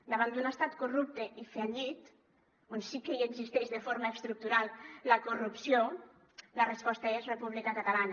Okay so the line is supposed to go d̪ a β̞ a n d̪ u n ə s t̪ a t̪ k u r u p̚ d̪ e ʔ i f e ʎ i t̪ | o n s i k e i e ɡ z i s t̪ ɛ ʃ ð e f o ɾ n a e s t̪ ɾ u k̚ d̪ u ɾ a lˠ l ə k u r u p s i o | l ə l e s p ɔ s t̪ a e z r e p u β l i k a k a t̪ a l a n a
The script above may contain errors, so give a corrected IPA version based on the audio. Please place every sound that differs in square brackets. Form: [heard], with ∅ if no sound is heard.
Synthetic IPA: d̪ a β̞ a n d̪ u n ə s t̪ a t̪ k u r u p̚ [t̪] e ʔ i f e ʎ i t̪ | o n s i k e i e ɡ z i s t̪ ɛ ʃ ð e f o ɾ [m] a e s t̪ ɾ u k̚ [t̪] u ɾ a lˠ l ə k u r u p s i o | l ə [r] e s p ɔ s t̪ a e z r e p u β l i k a k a t̪ a l a n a